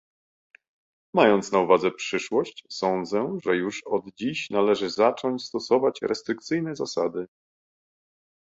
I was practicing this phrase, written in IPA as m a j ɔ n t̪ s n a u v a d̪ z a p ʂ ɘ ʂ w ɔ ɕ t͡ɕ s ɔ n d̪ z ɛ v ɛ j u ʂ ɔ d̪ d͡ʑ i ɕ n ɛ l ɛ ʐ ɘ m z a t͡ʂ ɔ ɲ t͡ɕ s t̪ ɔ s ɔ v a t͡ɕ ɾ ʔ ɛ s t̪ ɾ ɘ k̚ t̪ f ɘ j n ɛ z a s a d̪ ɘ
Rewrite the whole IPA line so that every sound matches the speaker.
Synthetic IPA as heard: m a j ɔ n t̪ s n a u v a d̪ z ɛ p ʂ ɘ ʂ w ɔ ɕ t͡ɕ s ɔ n d̪ z ɛ ʐ ɛ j u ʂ ɔ d̪ d͡ʑ i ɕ n a l ɛ ʐ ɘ z a t͡ʂ ɔ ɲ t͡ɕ s t̪ ɔ s ɔ v a t͡ɕ ɾ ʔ ɛ s t̪ ɾ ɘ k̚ t̪ s ɘ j n ɛ z a s a d̪ ɘ